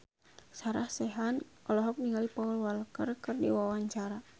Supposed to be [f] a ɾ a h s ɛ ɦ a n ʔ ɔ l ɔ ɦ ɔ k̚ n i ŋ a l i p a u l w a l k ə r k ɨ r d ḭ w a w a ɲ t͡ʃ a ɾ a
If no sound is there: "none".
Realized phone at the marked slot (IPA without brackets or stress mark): s